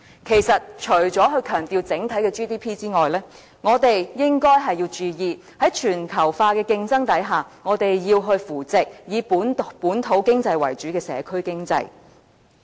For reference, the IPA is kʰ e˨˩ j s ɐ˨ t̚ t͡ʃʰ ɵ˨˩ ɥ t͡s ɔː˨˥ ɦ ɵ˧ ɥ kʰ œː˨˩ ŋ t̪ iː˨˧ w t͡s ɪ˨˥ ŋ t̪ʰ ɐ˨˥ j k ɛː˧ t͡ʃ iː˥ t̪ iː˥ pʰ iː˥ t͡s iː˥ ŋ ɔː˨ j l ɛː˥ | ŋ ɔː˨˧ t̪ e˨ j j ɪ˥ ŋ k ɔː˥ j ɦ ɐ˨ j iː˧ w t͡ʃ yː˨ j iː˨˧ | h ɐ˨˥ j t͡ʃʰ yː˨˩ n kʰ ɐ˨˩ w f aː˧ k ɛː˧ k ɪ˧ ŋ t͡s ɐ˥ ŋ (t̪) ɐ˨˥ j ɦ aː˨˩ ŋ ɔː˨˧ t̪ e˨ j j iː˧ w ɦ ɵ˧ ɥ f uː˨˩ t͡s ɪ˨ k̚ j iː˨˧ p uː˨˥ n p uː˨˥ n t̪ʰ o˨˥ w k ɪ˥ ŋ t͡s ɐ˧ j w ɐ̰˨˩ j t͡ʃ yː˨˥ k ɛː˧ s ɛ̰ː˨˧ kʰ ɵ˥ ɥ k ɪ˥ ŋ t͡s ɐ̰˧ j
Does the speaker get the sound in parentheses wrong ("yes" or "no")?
no